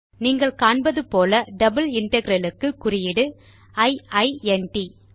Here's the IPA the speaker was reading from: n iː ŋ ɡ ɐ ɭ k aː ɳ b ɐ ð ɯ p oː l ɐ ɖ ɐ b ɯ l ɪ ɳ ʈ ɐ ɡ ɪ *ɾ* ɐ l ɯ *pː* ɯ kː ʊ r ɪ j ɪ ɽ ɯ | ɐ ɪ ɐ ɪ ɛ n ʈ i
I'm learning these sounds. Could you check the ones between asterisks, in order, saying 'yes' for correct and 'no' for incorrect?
yes, no

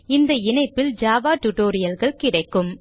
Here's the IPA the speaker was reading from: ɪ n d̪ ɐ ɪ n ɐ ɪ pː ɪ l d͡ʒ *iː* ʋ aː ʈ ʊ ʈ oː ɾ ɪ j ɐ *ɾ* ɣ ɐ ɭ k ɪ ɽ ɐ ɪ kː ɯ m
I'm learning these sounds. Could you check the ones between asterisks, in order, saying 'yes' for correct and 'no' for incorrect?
no, no

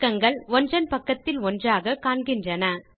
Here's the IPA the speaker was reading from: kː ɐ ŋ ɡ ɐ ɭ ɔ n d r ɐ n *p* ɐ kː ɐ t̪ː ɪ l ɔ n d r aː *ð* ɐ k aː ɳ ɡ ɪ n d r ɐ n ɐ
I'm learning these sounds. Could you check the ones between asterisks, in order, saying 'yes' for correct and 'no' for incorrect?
yes, no

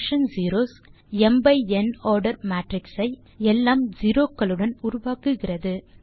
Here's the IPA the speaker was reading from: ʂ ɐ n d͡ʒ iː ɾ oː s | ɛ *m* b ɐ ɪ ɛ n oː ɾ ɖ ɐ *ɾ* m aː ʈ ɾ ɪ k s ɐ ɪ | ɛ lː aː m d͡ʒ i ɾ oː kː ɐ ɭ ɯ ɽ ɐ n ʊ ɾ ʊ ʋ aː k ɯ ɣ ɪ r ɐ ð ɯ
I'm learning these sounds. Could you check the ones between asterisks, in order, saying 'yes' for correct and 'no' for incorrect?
yes, yes

